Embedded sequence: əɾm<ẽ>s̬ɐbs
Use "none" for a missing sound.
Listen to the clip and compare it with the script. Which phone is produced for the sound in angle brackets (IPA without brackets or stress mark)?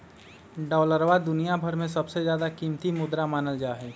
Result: ẽ